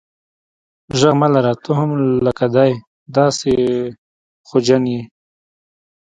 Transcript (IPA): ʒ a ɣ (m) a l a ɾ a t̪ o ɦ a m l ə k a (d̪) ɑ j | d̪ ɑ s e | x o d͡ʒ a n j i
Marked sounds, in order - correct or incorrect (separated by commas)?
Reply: correct, correct